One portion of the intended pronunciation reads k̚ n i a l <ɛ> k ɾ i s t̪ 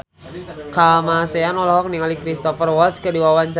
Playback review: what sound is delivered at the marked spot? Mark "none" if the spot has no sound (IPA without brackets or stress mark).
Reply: i